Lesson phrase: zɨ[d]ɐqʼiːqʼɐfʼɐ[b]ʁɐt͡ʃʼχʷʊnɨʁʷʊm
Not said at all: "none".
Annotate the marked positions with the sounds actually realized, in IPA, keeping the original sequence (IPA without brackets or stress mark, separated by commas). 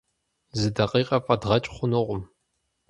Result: d, d